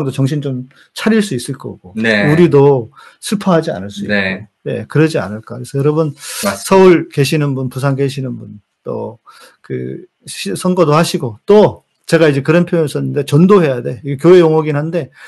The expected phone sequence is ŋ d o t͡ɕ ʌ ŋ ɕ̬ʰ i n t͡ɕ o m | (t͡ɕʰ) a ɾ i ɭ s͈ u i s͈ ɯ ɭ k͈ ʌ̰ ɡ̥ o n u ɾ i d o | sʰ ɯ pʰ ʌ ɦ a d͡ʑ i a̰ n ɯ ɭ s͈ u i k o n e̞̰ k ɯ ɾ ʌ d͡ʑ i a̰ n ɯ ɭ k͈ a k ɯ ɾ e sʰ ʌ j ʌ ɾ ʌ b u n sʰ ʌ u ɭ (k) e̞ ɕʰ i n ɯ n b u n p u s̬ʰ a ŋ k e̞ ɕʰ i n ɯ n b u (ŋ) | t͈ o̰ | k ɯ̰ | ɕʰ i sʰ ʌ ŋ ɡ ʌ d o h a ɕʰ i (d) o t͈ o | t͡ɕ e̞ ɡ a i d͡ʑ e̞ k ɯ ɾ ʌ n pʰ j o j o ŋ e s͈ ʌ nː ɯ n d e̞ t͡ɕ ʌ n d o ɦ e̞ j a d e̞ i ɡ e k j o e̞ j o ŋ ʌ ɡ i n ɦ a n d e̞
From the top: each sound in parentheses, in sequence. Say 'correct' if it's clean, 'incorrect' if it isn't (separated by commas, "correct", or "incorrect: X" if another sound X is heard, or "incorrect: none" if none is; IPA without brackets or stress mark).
correct, correct, incorrect: n, incorrect: ɡ